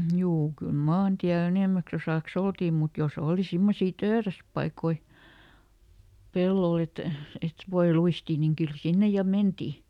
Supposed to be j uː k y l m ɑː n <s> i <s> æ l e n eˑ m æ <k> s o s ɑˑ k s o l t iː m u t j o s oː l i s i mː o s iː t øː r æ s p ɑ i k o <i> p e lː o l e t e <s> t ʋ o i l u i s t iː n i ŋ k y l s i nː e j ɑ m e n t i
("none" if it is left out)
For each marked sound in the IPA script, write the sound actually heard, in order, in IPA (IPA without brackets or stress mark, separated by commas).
t, none, k, i, none